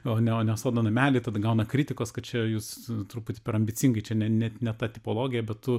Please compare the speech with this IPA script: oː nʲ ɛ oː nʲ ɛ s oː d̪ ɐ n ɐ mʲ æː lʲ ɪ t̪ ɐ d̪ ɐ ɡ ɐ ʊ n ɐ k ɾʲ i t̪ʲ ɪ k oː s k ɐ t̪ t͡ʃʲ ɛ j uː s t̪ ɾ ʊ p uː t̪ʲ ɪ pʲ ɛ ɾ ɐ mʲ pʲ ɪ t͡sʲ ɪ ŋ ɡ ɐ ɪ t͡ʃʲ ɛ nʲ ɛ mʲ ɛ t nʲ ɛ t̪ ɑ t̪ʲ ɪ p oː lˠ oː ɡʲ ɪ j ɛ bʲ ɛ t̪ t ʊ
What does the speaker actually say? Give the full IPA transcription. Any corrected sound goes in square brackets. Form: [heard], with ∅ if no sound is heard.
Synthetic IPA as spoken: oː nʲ ɛ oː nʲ ɛ s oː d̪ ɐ n ɐ mʲ æː lʲ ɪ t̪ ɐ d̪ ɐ ɡ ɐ ʊ n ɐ k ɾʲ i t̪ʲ ɪ k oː s k ɐ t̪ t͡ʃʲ ɛ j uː s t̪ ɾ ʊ p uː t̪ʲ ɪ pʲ ɛ ɾ ɐ mʲ [bʲ] ɪ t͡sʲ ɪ ŋ ɡ ɐ ɪ t͡ʃʲ ɛ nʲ ɛ [nʲ] ɛ t nʲ ɛ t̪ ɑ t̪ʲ ɪ p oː lˠ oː ɡʲ ɪ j ɛ bʲ ɛ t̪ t ʊ